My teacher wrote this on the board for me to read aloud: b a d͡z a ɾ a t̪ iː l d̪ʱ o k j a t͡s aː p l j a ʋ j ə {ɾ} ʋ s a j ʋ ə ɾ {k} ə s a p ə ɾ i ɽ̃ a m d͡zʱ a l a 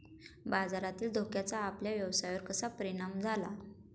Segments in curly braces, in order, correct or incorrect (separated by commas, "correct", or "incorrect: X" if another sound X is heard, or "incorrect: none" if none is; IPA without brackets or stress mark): incorrect: none, correct